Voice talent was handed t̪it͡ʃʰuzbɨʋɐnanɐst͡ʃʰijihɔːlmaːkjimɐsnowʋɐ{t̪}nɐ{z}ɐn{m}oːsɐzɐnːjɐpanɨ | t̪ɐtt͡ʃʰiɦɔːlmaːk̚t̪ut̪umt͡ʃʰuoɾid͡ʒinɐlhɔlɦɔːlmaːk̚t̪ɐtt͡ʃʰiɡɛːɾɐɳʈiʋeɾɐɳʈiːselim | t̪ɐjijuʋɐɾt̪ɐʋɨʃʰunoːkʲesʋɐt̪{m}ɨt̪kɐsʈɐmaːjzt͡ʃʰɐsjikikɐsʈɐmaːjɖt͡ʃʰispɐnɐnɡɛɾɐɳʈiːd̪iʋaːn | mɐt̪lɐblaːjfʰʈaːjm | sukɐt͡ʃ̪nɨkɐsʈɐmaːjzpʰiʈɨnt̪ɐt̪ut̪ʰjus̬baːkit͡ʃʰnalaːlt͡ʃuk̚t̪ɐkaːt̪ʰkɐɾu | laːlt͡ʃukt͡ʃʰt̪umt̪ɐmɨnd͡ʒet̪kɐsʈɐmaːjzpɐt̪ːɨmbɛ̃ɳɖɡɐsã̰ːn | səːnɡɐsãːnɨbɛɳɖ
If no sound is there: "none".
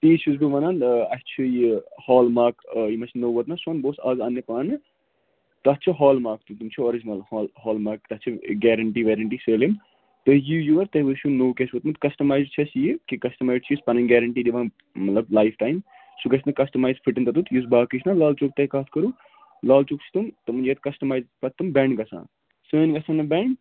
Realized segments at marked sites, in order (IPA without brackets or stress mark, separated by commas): t̪, s, b, m